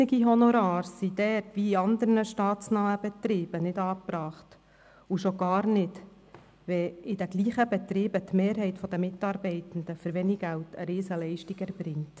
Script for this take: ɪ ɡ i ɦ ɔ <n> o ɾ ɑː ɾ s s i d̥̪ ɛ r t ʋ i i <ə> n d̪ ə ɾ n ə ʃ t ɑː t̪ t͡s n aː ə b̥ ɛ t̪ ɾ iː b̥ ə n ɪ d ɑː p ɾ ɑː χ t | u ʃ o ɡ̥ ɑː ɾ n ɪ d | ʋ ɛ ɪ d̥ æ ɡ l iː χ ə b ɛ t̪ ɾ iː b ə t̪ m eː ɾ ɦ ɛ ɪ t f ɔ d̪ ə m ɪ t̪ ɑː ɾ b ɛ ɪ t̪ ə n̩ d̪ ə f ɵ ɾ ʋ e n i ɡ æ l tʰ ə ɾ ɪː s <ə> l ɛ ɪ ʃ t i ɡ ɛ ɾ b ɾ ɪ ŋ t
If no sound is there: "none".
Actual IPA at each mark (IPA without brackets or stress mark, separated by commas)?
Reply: n, ɑ, ə